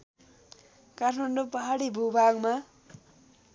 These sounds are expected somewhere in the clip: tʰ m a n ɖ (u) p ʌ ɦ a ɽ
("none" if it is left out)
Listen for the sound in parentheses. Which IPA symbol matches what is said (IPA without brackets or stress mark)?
o